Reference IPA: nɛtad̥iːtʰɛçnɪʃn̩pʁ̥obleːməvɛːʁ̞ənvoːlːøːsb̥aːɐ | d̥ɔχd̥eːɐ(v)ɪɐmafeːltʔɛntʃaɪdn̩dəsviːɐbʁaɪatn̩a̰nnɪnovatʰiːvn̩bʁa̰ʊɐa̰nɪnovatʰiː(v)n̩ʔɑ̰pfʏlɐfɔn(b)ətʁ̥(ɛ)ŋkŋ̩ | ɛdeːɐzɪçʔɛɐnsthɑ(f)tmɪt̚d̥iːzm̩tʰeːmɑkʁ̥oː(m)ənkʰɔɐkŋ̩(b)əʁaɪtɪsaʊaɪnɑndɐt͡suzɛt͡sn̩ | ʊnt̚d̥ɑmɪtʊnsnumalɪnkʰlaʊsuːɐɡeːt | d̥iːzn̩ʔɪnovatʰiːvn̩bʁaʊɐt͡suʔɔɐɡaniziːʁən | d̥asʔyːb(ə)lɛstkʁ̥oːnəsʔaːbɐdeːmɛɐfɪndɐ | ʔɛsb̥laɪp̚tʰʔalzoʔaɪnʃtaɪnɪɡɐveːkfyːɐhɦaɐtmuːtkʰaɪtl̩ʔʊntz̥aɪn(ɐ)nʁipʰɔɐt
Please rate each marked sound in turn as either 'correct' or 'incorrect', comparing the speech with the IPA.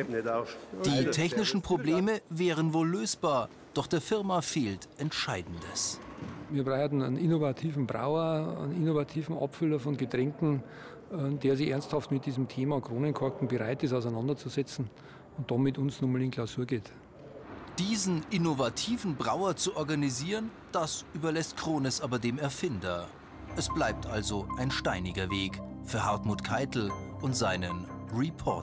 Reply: incorrect: f, correct, incorrect: ɡ, correct, correct, incorrect: n, correct, incorrect: ɐ, incorrect: ə

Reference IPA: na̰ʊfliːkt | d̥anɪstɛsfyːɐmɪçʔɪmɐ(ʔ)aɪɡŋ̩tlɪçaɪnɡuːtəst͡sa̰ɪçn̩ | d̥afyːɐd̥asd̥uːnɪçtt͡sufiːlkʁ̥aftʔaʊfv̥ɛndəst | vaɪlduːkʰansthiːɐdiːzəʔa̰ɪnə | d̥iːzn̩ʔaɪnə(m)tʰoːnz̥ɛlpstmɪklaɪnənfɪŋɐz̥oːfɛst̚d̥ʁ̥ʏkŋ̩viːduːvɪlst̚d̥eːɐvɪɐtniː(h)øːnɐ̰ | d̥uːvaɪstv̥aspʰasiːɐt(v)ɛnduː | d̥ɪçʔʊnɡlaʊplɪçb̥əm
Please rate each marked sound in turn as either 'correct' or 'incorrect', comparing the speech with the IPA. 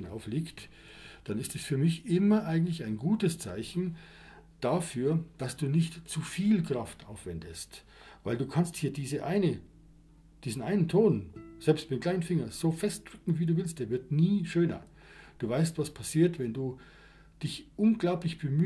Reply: correct, incorrect: n, incorrect: ʃ, correct

